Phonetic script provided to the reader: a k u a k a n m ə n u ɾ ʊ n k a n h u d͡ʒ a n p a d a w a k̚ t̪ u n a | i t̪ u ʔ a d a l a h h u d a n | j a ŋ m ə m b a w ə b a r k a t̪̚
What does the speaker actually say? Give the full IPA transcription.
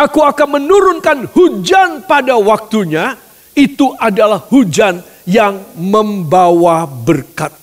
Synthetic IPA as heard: a k u a k a n m ə n u ɾ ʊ n k a n h u d͡ʒ a n p a d a w a k̚ t̪ u ɲ a | i t̪ u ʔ a d a l a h h u d͡ʒ a n | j a ŋ m ə m b a w a b ə r k a t̪̚